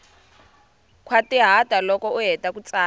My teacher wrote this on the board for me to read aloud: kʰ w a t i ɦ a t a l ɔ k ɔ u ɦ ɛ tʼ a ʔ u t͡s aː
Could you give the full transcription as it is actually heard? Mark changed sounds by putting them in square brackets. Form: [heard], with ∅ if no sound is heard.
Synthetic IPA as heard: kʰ w a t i ɦ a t a l ɔ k ɔ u ɦ ɛ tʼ a [k] u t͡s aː